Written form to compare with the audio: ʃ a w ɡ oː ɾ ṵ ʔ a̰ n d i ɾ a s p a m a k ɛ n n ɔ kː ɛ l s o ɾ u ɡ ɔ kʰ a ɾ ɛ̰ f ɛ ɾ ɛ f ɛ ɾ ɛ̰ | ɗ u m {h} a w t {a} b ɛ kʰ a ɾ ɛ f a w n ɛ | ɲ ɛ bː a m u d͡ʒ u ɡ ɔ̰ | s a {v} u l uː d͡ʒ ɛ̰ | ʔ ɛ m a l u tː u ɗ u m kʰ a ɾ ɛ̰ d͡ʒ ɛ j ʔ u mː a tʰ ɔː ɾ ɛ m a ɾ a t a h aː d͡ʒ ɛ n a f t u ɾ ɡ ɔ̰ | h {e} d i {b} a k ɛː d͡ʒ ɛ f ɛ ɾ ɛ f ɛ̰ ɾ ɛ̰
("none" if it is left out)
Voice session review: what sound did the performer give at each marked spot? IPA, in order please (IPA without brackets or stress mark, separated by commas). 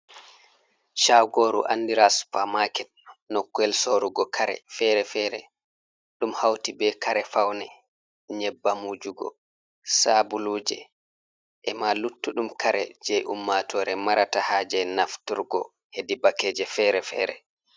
h, i, b, e, b